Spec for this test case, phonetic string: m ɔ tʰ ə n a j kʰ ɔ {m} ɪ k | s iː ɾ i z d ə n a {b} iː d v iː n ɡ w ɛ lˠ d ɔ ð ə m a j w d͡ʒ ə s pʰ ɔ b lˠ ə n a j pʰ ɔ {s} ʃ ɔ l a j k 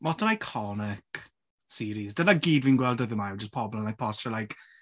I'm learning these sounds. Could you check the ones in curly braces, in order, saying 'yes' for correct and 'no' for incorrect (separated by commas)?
no, no, yes